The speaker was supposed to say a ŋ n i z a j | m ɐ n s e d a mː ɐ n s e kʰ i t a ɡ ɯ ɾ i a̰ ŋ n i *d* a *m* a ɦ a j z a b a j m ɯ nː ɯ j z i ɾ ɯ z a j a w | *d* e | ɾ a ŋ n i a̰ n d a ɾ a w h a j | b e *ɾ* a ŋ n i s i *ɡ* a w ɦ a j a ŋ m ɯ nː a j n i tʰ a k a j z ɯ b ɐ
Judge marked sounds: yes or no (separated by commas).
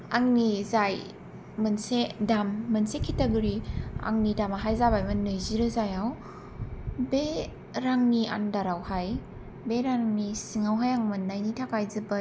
yes, yes, no, yes, no